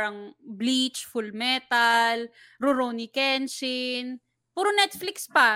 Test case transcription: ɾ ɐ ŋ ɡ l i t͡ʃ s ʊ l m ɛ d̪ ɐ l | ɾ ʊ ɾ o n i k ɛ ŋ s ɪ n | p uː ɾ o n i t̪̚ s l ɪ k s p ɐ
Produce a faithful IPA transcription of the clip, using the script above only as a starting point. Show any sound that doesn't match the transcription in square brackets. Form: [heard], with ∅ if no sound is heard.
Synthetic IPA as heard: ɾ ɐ ŋ [b] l i t͡ʃ [f] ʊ l m ɛ [t̪] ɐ l | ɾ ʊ ɾ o n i k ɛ [n] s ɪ n | p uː ɾ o n [ɛ] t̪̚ [f] l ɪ k s p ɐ